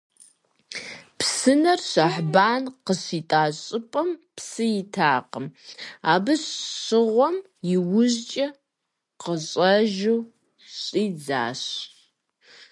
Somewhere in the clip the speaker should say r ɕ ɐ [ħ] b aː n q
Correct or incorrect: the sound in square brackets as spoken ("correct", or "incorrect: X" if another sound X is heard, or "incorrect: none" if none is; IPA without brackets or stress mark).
correct